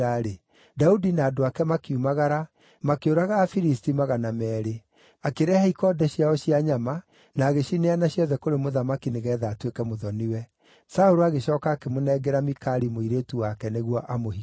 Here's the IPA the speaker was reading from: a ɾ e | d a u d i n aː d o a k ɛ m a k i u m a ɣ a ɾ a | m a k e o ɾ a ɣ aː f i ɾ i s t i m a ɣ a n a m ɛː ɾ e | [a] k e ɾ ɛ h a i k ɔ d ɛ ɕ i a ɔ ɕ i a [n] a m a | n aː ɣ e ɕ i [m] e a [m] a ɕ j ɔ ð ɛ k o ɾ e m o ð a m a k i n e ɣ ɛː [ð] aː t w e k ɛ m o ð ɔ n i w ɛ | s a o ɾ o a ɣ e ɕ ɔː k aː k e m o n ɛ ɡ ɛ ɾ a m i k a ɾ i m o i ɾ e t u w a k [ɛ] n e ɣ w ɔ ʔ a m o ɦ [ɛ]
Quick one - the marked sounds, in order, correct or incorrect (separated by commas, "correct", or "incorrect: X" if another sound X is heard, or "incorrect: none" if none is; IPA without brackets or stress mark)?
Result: correct, incorrect: ɲ, incorrect: n, incorrect: n, correct, correct, incorrect: i